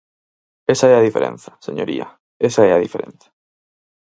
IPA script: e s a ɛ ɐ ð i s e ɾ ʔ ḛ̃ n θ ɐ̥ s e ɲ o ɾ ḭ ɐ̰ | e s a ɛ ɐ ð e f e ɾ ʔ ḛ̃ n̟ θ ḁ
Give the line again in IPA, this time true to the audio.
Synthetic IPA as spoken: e s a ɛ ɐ ð i f e ɾ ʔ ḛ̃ n θ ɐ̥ s e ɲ o ɾ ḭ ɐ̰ | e s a ɛ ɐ ð i f e ɾ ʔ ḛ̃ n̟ θ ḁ